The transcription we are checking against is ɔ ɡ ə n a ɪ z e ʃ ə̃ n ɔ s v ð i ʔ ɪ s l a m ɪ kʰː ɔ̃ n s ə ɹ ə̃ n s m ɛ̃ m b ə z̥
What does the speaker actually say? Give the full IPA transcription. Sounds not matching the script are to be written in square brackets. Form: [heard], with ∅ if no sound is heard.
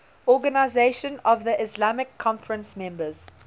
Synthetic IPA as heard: ɔ ɡ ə n a ɪ z e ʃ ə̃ n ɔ [∅] v ð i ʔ ɪ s l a m ɪ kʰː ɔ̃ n [f] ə ɹ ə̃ n s m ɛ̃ m b ə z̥

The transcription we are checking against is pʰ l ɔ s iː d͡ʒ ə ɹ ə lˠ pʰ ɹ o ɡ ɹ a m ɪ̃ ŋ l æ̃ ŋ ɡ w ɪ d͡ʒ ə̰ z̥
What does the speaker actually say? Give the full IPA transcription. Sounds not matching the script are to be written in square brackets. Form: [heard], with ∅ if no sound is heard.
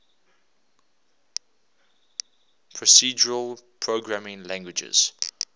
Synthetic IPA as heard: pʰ [ɹ] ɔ s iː d͡ʒ ə ɹ ə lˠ pʰ ɹ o ɡ ɹ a m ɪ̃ ŋ l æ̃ ŋ ɡ w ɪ d͡ʒ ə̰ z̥

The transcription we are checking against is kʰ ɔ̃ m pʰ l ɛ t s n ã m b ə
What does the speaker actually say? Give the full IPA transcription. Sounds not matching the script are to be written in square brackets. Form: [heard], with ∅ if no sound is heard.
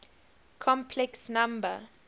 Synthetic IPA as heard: kʰ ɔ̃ m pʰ l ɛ [k] s n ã m b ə

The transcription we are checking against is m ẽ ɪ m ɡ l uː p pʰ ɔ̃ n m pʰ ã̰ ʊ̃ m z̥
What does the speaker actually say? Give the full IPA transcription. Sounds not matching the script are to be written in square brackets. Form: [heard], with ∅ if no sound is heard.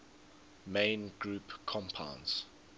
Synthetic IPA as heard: m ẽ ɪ [n] ɡ [ɹ] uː p [kʰ] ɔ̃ [∅] m pʰ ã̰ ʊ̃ [n] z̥

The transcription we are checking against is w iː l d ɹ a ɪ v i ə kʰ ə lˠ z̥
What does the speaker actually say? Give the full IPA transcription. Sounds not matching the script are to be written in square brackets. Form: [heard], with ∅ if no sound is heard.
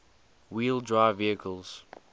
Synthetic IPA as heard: w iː l d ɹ a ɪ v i ə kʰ ə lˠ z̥

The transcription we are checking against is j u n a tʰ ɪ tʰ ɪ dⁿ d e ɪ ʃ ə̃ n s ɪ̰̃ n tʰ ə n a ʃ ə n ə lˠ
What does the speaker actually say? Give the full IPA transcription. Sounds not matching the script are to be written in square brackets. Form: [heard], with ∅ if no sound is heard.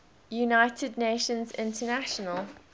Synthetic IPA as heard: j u n a [∅] ɪ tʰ ɪ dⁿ [n] e ɪ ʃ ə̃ n [z] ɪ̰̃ n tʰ ə n a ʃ ə n ə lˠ

